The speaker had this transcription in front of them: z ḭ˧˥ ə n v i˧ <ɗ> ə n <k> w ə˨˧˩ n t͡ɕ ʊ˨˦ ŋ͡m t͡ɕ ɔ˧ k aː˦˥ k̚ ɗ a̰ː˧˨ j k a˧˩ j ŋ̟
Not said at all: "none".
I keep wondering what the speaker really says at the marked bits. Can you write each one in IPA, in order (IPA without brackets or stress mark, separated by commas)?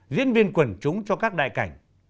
none, k